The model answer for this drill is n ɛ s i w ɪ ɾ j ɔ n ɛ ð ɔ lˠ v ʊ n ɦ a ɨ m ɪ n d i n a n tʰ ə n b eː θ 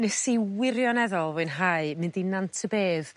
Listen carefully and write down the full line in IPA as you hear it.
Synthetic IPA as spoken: n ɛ s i w ɪ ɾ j ɔ n ɛ ð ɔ lˠ v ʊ n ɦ a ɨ m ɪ n d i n a n tʰ ə b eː ð